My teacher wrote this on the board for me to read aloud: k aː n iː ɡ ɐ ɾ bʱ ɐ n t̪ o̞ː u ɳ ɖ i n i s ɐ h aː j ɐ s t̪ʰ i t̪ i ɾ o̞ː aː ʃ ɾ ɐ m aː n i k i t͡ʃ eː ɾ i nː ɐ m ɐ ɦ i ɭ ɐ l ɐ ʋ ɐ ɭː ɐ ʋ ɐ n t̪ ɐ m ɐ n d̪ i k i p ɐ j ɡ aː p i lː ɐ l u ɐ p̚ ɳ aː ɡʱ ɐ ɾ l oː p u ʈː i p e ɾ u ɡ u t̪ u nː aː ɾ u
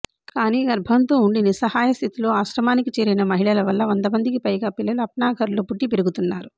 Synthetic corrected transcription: k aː n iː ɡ ɐ ɾ bʱ ɐ n t̪ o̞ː u ɳ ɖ i n i s ɐ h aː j ɐ s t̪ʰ i t̪ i l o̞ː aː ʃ ɾ ɐ m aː n i k i t͡ʃ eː ɾ i n ɐ m ɐ ɦ i ɭ ɐ l ɐ ʋ ɐ lː ɐ ʋ ɐ n d̪ ɐ m ɐ n d̪ i k i p ɐ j ɡ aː p i lː ɐ l u ɐ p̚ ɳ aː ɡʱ ɐ ɾ l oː p u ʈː i p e ɾ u ɡ u t̪ u nː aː ɾ u